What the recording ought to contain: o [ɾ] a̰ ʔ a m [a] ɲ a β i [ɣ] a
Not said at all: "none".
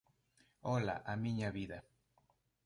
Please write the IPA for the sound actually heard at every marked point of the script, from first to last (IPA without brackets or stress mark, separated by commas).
l, i, ð